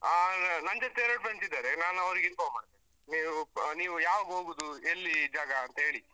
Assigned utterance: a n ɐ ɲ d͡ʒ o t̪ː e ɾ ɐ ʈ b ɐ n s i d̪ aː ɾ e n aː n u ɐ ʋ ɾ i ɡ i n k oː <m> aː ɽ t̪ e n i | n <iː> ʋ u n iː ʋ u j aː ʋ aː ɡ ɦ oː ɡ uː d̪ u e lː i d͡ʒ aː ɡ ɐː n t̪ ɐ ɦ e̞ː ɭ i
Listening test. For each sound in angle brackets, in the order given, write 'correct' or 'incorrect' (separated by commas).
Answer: correct, correct